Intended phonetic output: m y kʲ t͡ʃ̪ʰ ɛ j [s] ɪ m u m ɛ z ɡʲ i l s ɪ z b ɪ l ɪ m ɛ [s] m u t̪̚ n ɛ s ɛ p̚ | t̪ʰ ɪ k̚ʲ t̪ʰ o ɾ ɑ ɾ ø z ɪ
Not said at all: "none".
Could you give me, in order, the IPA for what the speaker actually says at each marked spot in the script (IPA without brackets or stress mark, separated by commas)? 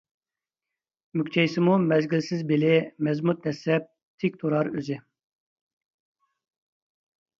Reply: s, z